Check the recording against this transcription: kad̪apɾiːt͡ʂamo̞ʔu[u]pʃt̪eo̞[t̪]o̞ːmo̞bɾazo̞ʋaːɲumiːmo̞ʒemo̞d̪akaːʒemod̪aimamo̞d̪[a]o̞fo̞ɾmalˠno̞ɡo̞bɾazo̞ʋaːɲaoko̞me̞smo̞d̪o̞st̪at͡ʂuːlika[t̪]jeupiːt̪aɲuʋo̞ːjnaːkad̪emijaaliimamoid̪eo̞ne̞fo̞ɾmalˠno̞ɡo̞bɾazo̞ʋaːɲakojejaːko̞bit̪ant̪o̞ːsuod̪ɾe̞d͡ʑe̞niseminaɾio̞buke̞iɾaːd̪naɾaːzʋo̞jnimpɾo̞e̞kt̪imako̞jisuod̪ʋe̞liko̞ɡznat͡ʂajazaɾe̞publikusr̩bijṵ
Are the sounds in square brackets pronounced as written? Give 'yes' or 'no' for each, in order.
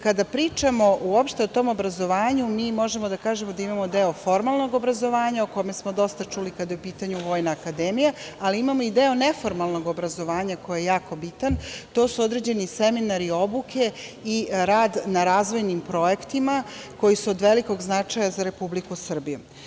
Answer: no, yes, no, no

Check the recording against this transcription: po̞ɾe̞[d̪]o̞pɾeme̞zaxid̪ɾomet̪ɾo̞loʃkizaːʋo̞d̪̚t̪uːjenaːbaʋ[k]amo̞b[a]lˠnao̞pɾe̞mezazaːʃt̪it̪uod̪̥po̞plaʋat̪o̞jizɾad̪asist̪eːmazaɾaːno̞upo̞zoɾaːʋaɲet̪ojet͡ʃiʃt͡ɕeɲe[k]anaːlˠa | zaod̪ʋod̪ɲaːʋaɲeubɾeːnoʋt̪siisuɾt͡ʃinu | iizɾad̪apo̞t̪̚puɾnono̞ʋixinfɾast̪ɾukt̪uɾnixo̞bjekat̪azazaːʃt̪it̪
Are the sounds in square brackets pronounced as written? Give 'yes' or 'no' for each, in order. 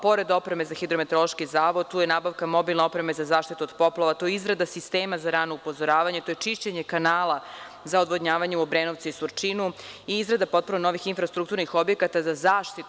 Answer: yes, yes, no, yes

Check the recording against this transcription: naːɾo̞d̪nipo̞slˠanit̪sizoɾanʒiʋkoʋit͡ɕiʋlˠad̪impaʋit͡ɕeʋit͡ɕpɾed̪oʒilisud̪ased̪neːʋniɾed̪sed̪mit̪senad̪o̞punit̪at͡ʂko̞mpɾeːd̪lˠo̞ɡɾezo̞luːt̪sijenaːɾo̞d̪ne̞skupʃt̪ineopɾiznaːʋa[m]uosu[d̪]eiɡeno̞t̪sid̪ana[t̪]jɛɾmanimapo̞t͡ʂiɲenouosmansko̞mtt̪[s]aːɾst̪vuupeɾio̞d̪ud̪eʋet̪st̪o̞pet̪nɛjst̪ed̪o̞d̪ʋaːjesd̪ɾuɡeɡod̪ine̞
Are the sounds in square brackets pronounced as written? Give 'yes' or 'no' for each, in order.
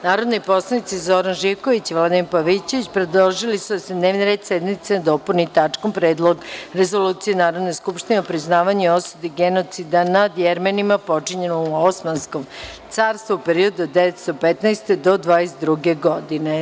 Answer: no, yes, no, yes

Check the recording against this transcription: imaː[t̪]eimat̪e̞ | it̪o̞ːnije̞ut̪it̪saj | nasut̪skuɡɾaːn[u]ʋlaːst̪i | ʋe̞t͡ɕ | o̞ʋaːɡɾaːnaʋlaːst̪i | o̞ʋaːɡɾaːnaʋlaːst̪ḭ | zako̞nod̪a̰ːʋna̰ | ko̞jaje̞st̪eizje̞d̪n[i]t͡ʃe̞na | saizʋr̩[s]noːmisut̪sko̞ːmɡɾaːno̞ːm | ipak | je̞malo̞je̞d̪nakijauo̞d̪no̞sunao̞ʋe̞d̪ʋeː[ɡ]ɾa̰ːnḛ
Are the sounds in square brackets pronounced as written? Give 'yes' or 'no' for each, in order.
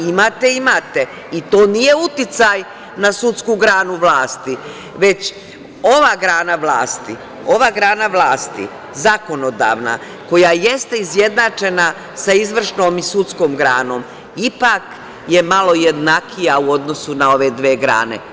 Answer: yes, yes, no, no, yes

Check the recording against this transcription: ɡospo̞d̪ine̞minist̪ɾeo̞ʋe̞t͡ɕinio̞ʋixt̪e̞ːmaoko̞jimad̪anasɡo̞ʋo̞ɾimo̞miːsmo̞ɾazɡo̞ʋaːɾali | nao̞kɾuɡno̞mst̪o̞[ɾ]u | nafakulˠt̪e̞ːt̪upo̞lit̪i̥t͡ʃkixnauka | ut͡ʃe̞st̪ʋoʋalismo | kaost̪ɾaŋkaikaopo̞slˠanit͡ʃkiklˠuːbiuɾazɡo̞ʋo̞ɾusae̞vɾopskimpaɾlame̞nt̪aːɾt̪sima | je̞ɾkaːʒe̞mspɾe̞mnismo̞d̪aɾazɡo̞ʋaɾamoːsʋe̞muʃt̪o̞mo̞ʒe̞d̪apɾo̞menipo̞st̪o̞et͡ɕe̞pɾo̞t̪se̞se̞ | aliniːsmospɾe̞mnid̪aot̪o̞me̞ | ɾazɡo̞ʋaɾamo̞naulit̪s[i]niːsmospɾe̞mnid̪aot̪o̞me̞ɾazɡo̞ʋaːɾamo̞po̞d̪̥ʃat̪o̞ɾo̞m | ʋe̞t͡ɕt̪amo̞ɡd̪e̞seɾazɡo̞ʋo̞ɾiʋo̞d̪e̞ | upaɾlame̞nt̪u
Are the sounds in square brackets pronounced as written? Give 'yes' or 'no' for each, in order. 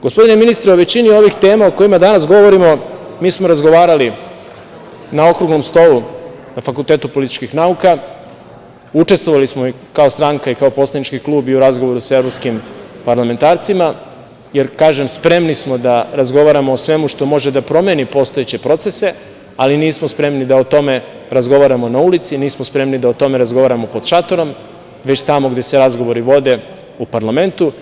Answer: no, yes

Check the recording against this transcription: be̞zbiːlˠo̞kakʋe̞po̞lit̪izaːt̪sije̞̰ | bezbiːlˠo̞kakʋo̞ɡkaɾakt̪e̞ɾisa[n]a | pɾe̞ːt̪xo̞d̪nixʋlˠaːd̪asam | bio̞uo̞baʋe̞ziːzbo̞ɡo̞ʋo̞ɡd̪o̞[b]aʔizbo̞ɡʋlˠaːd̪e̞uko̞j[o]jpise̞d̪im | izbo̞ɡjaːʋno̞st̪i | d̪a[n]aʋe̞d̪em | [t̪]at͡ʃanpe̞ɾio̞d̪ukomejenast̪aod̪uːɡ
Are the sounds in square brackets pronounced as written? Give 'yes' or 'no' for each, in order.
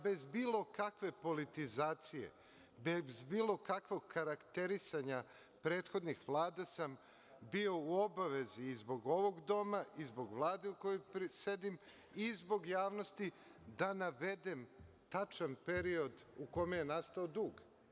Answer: no, no, yes, yes, yes

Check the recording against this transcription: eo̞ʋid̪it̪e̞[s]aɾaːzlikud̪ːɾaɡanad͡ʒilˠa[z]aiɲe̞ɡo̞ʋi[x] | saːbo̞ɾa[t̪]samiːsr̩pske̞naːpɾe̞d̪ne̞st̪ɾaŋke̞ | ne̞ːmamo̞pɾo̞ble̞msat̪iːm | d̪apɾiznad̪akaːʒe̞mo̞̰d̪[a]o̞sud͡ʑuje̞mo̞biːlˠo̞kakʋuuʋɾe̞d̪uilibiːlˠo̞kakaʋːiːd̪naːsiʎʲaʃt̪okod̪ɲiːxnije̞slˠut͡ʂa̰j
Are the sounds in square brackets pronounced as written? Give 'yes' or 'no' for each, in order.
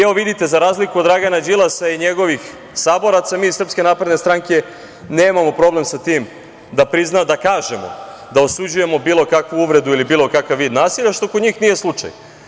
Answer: no, no, yes, yes, yes

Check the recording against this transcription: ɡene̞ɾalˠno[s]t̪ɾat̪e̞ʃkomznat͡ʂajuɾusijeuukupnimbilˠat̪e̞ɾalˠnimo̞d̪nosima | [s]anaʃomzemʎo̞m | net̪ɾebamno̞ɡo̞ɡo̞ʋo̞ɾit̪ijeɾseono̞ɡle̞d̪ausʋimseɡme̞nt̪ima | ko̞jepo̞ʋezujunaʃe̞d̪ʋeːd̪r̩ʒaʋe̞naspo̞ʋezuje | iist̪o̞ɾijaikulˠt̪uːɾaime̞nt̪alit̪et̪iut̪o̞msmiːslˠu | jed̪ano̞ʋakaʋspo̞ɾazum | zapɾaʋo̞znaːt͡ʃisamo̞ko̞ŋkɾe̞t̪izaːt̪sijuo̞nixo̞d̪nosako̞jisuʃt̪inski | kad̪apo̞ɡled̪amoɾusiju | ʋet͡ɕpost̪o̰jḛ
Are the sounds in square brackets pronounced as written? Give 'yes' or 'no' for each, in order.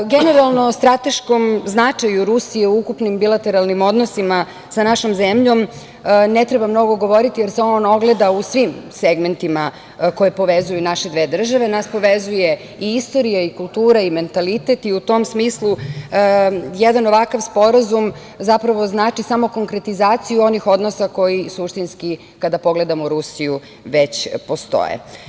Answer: yes, yes

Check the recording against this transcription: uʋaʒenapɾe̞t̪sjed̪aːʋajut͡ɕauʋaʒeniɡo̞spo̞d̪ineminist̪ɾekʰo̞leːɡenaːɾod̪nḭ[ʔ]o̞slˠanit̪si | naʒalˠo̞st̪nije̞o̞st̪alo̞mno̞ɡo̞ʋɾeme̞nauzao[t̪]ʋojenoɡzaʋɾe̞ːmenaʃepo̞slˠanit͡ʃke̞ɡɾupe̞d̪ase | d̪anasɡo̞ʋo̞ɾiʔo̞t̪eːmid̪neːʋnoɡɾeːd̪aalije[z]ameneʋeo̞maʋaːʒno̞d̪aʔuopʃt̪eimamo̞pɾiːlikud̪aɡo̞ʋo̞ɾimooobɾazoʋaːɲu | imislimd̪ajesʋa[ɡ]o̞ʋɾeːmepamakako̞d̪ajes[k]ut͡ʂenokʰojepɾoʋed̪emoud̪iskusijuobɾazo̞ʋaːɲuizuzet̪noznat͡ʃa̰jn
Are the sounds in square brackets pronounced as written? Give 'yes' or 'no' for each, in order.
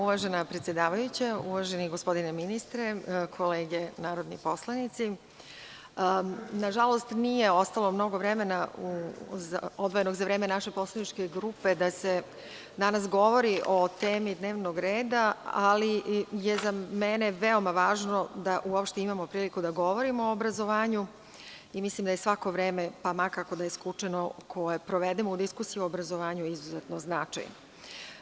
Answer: no, no, yes, no, yes

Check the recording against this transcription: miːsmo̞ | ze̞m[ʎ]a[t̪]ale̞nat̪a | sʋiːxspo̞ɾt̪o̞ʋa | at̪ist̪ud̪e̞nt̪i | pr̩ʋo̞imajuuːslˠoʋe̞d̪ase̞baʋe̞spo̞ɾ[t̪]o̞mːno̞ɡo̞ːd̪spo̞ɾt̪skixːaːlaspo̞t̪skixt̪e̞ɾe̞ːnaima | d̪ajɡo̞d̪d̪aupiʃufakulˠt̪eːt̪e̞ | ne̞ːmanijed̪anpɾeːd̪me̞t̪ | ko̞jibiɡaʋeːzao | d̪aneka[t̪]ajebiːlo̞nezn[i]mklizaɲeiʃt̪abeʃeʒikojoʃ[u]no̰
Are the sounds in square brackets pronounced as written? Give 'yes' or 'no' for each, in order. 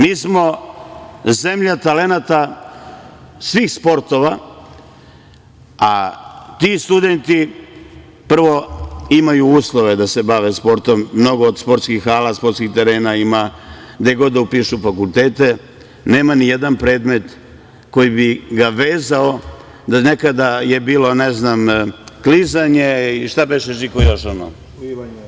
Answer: yes, yes, yes, no, no, no

